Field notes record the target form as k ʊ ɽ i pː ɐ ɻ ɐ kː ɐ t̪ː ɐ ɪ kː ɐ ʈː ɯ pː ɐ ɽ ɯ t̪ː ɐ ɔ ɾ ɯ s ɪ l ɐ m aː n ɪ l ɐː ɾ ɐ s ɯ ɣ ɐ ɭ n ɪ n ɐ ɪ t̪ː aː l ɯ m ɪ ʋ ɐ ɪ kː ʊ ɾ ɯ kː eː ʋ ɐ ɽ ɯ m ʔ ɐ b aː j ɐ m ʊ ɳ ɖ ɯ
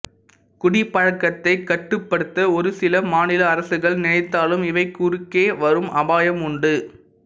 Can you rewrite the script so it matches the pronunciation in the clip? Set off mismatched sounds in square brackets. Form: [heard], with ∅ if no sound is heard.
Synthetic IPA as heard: k ʊ ɽ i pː ɐ ɻ ɐ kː ɐ t̪ː ɐ ɪ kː ɐ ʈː ɯ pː ɐ ɽ ɯ t̪ː ɐ ɔ ɾ ɯ s ɪ l ɐ m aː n ɪ l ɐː ɾ ɐ s ɯ ɣ ɐ ɭ n ɪ n ɐ ɪ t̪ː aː l ɯ m ɪ ʋ ɐ ɪ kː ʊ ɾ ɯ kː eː ʋ ɐ [ɾ] ɯ m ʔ ɐ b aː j ɐ m ʊ ɳ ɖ ɯ